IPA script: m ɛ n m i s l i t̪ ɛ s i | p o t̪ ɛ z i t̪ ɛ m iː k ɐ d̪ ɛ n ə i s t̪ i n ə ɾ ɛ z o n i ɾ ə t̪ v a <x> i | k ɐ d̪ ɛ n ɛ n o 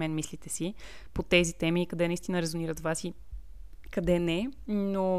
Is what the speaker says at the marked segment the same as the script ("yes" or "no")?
no